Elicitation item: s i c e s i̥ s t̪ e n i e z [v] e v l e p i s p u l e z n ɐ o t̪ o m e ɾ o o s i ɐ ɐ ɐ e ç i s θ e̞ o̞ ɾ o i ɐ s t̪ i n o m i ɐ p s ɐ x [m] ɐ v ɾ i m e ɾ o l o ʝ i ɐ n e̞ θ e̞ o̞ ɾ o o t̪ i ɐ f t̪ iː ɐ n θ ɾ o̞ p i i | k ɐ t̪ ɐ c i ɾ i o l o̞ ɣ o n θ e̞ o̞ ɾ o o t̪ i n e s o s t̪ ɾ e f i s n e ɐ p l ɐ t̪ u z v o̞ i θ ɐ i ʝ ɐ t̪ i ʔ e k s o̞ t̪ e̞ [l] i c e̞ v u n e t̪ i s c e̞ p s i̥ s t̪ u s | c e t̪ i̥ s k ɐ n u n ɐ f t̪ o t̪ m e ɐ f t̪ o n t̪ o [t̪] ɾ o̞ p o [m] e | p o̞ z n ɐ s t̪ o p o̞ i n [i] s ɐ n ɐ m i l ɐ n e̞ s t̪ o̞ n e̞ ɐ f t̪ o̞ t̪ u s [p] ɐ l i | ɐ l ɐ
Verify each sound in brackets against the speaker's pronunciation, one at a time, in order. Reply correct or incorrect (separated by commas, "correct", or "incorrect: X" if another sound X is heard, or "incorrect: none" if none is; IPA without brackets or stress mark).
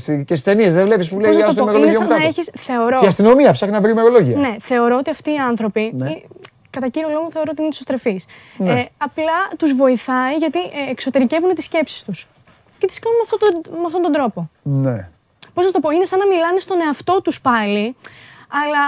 incorrect: ð, incorrect: n, incorrect: ɾ, incorrect: d̪, incorrect: n, incorrect: e, correct